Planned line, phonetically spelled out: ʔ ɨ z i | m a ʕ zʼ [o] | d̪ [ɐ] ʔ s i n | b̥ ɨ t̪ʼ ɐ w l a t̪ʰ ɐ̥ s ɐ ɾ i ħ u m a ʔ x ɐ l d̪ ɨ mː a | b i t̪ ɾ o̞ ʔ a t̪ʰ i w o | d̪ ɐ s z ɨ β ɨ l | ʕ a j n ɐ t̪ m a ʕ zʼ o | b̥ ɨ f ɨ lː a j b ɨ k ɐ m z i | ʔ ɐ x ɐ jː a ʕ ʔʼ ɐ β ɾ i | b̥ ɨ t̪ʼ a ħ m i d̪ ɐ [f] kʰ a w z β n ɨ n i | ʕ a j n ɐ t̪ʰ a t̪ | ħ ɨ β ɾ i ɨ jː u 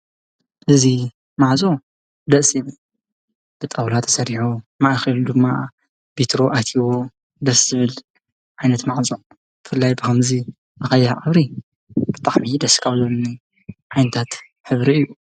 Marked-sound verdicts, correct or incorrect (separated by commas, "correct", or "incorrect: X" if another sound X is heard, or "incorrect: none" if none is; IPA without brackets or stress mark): correct, correct, incorrect: s